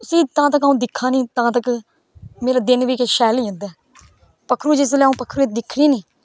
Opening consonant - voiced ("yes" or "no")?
no